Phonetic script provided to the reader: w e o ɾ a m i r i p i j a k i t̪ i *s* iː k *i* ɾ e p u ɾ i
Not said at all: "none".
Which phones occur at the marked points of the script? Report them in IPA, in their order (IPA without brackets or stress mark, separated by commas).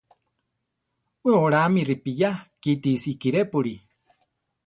s, i